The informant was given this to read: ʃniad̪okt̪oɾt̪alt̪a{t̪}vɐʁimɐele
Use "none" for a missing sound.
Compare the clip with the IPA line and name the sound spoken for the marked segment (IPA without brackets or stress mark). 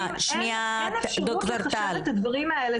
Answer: d̪